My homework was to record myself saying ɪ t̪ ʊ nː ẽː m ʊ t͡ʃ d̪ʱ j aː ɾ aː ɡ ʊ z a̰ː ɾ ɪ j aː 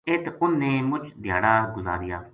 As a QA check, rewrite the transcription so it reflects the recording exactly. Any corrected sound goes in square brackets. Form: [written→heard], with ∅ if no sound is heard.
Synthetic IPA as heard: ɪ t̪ ʊ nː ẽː m ʊ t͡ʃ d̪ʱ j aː [ɾ→ɽ] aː ɡ ʊ z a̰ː ɾ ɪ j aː